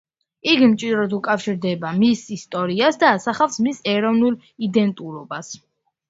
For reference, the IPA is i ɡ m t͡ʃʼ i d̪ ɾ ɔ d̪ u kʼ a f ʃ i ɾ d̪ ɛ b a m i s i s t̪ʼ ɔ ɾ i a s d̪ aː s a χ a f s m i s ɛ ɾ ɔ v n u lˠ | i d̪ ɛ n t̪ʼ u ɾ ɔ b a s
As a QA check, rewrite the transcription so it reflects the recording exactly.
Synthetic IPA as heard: i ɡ m t͡ʃʼ i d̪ ɾ ɔ d̪ u kʼ a f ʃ i ɾ d̪ ɛ b a m i s i s t̪ʼ ɔ ɾ i a s d̪ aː s a χ a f s m i s ɛ ɾ ɔ v n u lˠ | i d̪ ɛ n t̪ʼ u ɾ ɔ b a s